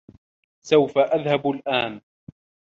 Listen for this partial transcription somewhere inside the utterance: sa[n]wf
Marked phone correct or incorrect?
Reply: incorrect